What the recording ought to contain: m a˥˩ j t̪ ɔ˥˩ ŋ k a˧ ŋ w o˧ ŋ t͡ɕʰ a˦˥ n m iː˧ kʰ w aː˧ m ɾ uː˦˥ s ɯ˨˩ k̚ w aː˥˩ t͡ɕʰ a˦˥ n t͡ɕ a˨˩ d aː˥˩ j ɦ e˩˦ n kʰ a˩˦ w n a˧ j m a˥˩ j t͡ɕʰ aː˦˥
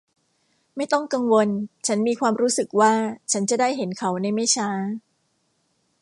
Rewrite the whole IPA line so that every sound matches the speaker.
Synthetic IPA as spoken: m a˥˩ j t̪ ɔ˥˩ ŋ k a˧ ŋ w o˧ n t͡ɕʰ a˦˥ n m iː˧ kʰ w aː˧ m ɾ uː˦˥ s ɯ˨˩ k̚ w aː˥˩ t͡ɕʰ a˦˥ n t͡ɕ a˨˩ d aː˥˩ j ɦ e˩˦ n kʰ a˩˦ w n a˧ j m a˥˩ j t͡ɕʰ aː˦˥